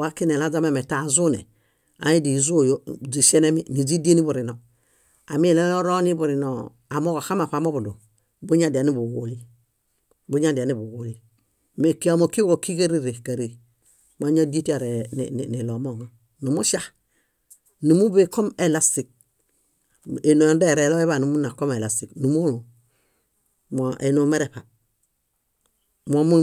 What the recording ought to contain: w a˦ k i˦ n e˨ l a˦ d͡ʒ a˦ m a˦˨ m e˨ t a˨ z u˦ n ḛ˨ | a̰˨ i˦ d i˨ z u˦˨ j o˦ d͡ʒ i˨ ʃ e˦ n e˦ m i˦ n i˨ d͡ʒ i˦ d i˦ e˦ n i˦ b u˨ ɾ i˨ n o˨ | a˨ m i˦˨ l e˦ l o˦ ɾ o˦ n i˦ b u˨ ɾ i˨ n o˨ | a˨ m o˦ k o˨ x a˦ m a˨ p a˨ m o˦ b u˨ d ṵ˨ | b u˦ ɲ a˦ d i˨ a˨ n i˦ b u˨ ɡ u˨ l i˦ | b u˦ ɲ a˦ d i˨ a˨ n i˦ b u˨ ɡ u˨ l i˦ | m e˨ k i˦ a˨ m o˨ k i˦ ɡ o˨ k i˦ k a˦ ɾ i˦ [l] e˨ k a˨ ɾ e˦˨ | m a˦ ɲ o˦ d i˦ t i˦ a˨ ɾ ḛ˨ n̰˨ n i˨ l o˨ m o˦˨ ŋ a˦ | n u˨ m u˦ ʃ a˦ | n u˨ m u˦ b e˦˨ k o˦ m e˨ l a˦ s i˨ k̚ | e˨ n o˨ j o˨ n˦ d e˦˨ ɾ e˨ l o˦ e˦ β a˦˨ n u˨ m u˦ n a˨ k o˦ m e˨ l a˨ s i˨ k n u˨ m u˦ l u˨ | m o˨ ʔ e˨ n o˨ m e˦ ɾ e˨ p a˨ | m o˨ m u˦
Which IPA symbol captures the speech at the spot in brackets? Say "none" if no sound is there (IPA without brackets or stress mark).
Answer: ɾ